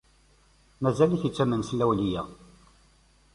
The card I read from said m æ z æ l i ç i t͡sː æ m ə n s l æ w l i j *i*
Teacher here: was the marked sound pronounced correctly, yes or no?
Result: no